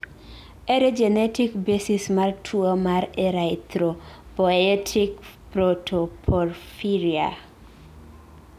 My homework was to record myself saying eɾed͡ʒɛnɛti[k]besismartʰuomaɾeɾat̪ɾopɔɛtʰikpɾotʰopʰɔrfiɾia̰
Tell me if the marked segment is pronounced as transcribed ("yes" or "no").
yes